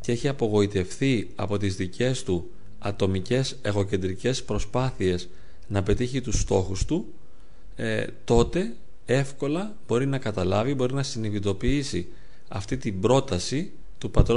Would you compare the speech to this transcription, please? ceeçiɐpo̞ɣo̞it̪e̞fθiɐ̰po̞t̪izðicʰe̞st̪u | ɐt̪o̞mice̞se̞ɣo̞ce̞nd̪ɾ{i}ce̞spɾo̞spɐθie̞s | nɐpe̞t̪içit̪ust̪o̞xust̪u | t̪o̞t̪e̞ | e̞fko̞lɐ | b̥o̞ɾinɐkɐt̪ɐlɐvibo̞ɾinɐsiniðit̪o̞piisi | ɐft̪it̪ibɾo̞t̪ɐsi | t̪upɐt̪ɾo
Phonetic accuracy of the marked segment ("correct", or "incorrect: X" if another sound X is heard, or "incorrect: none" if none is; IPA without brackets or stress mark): correct